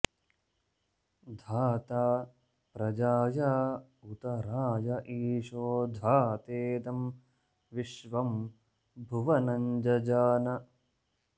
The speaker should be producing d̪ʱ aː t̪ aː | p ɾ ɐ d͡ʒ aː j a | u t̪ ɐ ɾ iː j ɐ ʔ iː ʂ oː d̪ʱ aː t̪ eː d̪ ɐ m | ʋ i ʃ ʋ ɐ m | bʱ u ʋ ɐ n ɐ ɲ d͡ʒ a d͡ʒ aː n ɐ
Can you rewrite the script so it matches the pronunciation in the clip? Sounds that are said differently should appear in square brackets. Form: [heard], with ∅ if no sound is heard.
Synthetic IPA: d̪ʱ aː t̪ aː | p ɾ ɐ d͡ʒ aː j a | u t̪ ɐ ɾ [aː] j ɐ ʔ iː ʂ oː d̪ʱ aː t̪ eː d̪ ɐ m | ʋ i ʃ ʋ ɐ m | bʱ u ʋ ɐ n ɐ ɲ d͡ʒ [ɐ] d͡ʒ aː n ɐ